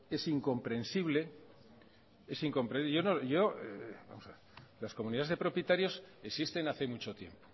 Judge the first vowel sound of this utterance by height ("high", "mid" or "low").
mid